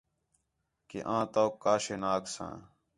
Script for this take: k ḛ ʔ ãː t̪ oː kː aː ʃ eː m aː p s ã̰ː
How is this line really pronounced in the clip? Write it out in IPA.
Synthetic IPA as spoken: k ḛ ʔ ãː t̪ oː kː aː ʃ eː n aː k s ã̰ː